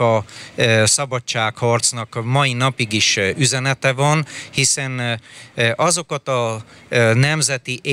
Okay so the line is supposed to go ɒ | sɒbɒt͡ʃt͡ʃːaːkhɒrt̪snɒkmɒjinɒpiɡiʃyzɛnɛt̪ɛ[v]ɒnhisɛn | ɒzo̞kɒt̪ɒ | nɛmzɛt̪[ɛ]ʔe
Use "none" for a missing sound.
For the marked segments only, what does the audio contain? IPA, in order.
v, i

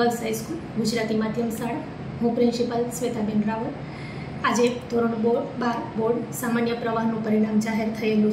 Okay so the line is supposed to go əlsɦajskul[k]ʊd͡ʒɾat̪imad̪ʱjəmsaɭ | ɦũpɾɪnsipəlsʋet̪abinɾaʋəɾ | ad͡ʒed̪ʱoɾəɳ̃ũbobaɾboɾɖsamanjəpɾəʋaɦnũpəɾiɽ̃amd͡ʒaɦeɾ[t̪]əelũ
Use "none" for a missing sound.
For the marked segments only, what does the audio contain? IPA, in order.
ɡ, t̪ʰ

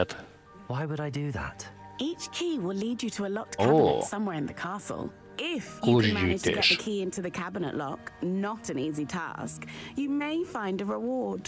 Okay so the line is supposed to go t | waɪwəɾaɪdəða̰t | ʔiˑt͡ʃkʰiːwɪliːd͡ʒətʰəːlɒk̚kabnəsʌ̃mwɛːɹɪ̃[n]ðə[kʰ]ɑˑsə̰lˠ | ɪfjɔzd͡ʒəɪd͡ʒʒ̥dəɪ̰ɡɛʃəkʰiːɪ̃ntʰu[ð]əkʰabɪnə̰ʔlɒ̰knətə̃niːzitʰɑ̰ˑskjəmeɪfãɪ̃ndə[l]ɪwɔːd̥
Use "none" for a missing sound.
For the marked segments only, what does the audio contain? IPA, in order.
n, kʰ, ð, ɹ

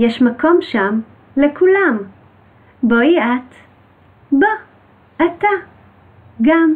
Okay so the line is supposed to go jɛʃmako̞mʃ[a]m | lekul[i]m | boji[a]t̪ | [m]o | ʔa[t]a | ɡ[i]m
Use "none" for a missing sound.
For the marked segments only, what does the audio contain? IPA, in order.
a, a, a, b, t, a

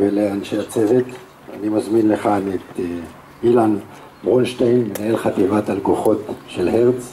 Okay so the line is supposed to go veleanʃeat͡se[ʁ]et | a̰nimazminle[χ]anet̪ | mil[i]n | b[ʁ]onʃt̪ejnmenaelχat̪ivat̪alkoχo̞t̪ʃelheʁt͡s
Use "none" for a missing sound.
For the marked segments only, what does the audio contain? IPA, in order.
v, χ, a, ʁ

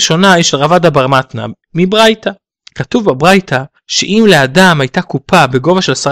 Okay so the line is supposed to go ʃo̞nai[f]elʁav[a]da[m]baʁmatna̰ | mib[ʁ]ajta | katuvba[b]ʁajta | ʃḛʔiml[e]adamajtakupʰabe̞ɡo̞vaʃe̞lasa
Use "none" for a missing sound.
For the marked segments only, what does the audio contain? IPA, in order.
ʃ, a, none, ʁ, b, e

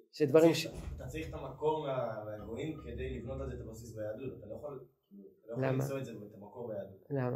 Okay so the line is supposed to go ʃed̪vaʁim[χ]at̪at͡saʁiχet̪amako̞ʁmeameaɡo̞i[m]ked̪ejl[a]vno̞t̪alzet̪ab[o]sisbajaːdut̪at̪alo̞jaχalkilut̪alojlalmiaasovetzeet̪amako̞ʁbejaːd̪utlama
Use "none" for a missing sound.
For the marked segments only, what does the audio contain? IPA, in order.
ʃ, m, i, o

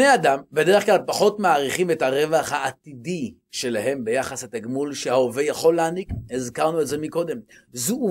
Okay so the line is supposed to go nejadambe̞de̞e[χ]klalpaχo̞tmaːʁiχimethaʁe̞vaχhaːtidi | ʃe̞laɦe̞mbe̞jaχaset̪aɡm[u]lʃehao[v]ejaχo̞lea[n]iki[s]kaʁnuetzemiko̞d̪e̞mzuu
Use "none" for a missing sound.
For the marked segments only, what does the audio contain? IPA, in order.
χ, u, v, n, z

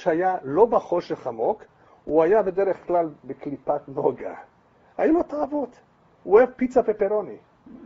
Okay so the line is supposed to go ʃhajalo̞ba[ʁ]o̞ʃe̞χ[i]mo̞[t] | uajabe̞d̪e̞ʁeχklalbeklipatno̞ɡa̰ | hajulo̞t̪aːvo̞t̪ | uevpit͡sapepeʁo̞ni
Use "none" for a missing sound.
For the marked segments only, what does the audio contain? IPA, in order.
χ, a, k

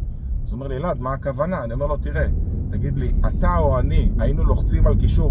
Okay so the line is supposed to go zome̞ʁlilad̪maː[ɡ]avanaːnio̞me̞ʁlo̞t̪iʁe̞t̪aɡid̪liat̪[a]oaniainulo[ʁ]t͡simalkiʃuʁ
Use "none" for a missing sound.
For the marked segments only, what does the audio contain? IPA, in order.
k, a, χ

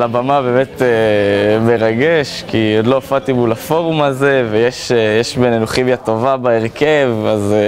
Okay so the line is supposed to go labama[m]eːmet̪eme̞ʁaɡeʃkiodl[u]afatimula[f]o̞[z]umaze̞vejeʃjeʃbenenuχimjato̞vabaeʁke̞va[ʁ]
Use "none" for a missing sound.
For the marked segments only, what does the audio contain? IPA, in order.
b, o, f, ʁ, z

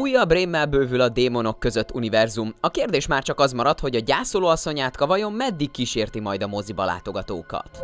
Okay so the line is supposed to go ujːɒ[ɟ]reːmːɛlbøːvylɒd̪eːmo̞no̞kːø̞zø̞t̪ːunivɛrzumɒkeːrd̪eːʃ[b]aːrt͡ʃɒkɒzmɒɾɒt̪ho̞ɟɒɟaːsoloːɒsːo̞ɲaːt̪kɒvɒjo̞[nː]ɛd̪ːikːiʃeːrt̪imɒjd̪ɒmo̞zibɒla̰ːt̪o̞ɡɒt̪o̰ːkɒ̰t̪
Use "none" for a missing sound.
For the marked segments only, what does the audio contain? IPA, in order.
b, m, mː

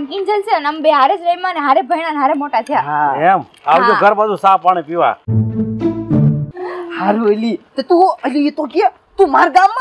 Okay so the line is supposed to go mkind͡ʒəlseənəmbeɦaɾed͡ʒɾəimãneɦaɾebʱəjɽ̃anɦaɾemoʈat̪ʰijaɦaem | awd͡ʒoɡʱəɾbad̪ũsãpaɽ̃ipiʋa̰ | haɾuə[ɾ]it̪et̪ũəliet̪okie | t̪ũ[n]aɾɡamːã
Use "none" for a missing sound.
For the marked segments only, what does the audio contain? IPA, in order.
l, m

